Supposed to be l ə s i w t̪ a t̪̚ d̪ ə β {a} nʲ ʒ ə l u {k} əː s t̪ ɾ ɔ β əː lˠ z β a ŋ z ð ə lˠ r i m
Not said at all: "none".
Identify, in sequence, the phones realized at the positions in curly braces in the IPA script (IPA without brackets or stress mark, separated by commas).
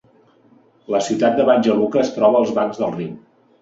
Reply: a, k